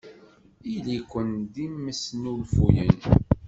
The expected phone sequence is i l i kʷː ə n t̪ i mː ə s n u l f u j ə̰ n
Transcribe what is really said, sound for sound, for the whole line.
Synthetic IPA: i l i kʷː ə n d̪ i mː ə s n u l f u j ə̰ n